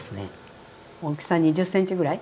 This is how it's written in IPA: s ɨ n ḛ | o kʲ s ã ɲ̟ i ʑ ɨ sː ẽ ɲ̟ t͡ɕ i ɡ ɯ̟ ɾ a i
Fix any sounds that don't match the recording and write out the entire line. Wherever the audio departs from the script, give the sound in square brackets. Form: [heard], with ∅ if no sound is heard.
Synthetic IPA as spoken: s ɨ n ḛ | o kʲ s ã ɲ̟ i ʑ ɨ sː ẽ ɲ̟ t͡ɕ i ɡ ɯ̟ ɾ a i